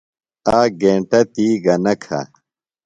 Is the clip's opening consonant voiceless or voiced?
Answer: voiced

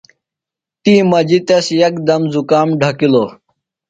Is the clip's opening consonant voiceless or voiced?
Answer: voiceless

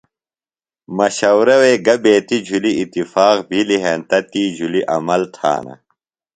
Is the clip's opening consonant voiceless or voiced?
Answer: voiced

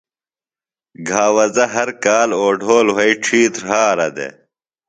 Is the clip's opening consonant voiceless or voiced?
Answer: voiced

